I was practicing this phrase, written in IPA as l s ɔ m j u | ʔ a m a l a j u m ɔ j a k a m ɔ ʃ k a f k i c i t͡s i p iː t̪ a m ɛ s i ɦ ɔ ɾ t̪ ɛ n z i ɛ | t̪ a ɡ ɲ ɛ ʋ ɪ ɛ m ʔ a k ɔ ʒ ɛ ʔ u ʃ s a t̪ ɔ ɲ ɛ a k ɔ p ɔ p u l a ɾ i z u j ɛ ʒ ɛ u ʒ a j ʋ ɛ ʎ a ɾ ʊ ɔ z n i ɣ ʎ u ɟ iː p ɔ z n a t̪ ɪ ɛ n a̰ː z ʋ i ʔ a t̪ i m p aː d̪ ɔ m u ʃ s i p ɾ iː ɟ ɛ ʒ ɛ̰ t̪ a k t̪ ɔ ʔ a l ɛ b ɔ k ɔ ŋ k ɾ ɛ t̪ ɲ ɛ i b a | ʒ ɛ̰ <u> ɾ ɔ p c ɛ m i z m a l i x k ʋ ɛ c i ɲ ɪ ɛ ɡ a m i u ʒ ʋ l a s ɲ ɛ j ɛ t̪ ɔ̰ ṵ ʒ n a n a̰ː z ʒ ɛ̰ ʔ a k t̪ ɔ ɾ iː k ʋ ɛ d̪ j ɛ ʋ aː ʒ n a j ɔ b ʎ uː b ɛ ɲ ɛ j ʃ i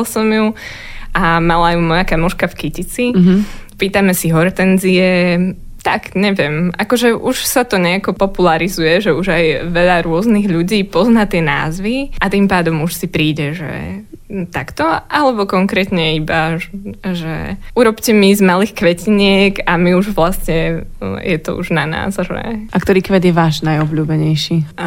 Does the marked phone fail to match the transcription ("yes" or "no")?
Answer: no